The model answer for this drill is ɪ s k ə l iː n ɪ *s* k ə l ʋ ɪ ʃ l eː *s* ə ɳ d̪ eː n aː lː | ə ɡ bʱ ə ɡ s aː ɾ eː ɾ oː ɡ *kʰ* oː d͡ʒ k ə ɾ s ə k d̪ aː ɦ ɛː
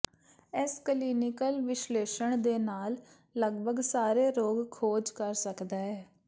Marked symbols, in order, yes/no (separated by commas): no, no, yes